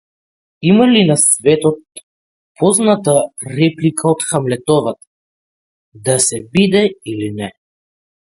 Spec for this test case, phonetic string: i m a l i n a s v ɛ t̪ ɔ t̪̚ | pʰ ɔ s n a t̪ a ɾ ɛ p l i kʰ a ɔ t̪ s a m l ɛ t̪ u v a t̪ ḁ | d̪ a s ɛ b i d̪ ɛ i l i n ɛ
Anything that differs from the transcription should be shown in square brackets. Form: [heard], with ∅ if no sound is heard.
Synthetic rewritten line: i m a l i n a s v ɛ t̪ ɔ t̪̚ | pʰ ɔ [z] n a t̪ a ɾ ɛ p l i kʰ a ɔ t̪ [x] a m l ɛ t̪ [ɔ] v a t̪ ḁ | d̪ a s ɛ b i d̪ ɛ i l i n ɛ